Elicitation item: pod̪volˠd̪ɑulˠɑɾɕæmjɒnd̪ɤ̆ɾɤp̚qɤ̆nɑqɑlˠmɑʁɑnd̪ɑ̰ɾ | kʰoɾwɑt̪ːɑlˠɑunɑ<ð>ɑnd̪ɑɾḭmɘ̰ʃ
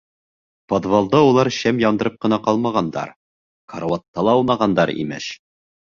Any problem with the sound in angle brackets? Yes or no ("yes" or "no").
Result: yes